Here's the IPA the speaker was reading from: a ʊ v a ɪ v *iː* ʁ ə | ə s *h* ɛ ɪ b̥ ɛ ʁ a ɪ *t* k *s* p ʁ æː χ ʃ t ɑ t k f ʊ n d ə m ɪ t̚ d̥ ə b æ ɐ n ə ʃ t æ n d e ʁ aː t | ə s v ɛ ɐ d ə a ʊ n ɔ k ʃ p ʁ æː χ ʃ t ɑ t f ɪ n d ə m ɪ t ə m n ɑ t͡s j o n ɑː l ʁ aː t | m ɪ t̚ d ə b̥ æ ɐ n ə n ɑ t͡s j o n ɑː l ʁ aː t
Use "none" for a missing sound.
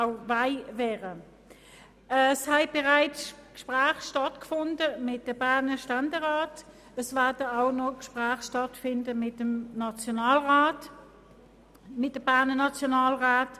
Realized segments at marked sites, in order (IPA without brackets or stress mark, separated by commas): ɛː, h, t͡s, ʃ